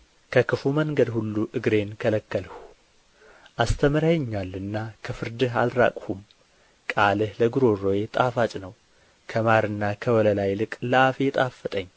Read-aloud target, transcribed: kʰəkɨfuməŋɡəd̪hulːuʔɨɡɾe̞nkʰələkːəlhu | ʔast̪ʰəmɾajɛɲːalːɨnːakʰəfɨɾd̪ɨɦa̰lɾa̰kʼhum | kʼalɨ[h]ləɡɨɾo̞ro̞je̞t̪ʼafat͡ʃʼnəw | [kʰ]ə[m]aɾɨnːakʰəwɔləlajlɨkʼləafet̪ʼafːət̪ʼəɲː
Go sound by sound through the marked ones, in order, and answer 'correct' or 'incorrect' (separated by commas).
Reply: correct, correct, correct